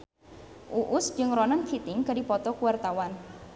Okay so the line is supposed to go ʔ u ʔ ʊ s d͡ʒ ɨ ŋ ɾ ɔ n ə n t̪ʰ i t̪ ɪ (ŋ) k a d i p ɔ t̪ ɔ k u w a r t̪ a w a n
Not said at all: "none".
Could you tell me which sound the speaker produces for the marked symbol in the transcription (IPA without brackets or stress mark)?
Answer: ŋ